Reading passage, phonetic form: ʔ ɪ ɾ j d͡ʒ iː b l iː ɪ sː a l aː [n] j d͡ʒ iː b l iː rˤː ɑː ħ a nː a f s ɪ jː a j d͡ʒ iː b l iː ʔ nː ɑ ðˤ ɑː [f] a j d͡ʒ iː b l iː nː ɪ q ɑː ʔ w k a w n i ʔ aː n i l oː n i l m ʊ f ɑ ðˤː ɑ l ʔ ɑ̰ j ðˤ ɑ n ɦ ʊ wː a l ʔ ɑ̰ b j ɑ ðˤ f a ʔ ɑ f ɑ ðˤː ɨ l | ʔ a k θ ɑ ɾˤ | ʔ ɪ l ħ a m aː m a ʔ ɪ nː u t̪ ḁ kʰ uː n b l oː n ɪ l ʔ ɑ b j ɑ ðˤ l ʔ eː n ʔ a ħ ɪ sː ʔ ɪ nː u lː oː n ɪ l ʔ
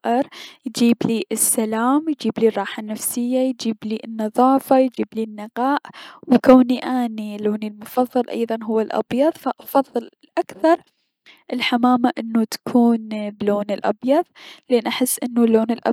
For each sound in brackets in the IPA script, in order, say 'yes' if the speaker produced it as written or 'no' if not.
no, yes

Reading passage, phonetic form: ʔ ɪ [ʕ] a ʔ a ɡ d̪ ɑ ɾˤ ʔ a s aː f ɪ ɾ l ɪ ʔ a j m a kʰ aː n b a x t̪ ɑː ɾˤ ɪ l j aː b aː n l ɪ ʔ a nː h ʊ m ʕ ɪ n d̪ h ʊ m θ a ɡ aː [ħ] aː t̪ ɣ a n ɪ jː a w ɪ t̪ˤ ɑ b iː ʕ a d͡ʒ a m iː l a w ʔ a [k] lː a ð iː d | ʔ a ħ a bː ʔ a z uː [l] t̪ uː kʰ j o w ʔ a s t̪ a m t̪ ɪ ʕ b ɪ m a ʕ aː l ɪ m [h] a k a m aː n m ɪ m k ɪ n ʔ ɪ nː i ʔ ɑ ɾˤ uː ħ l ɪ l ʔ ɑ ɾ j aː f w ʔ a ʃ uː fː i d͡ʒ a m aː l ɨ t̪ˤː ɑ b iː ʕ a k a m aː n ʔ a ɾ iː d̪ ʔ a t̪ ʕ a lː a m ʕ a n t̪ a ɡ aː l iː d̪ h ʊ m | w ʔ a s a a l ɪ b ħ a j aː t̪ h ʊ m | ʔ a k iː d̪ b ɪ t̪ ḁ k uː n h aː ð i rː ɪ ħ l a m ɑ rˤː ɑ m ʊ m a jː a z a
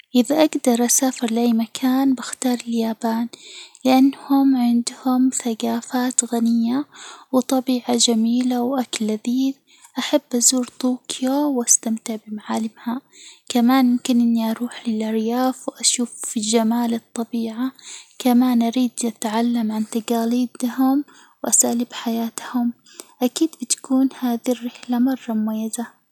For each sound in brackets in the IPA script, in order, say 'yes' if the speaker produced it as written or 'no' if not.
no, no, yes, no, yes

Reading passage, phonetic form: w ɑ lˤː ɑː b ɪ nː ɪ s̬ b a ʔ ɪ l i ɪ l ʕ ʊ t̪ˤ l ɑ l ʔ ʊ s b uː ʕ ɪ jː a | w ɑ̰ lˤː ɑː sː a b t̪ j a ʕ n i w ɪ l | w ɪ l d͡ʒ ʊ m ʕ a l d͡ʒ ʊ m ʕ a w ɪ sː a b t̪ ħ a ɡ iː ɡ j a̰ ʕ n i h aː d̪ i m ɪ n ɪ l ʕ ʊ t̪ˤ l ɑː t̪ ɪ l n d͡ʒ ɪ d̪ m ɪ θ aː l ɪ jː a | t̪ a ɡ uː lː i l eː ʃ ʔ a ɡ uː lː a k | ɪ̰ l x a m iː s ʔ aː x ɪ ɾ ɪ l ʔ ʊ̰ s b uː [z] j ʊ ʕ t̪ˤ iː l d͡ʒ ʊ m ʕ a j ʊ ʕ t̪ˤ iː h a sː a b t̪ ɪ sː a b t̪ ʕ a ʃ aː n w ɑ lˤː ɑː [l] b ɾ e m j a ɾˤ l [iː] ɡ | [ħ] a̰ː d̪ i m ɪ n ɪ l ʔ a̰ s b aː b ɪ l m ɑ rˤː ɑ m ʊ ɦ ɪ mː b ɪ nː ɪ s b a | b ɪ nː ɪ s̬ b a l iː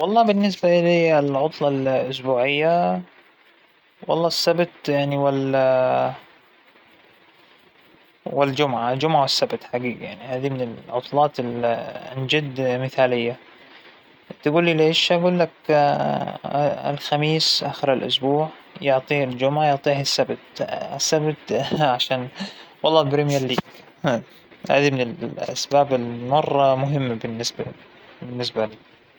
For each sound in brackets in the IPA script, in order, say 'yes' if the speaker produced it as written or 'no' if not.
no, yes, yes, no

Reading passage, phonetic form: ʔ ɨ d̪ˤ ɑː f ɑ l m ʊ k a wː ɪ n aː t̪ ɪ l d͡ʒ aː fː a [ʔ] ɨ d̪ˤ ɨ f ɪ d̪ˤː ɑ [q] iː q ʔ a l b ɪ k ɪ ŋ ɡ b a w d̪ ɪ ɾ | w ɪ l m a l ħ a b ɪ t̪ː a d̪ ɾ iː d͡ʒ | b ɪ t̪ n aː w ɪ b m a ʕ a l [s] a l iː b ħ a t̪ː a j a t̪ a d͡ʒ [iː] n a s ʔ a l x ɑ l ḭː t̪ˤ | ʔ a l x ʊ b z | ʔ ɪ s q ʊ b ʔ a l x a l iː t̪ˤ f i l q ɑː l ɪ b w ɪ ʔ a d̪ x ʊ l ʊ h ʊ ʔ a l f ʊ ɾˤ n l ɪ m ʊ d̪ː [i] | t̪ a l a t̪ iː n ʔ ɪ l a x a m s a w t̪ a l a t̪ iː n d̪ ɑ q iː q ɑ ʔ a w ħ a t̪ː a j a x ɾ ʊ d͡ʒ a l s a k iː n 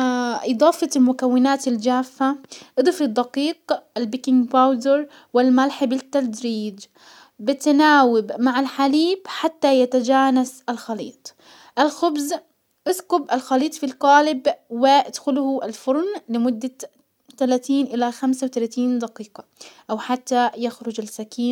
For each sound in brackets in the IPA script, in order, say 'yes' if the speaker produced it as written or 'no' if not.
yes, yes, no, no, no

